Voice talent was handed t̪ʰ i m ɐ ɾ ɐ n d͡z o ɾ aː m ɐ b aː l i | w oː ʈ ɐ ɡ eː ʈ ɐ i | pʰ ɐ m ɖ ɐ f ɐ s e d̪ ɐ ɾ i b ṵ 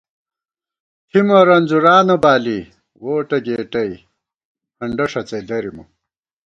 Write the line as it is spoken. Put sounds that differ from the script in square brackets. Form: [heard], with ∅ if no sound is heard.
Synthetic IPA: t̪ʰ i m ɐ ɾ ɐ n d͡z [u] ɾ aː [n] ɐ b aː l i | w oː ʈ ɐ ɡ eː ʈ ɐ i | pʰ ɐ [ɳ] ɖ ɐ [ʂ] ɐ [t͡s] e d̪ ɐ ɾ i [m] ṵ